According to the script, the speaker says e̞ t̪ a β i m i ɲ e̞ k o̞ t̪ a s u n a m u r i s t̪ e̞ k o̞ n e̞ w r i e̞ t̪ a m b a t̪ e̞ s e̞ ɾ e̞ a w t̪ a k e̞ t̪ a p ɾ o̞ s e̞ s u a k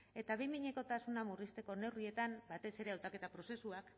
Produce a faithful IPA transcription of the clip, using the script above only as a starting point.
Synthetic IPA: e̞ t̪ a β i m i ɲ e̞ k o̞ t̪ a s u n a m u r i s t̪ e̞ k o̞ n e̞ w r i e̞ t̪ a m b a t̪ e̞ s e̞ ɾ e̞ a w t̪ a k e̞ t̪ a p ɾ o̞ s e̞ s u a k